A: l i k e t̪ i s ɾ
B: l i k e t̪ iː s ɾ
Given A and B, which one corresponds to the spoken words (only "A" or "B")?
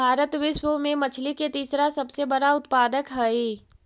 B